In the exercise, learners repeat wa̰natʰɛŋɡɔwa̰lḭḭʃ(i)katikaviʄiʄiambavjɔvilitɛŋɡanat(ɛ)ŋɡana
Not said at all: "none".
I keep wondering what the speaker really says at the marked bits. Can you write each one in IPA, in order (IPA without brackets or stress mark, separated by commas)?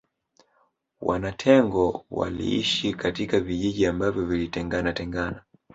i, ɛ